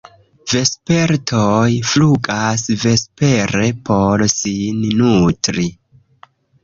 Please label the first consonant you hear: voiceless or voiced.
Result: voiced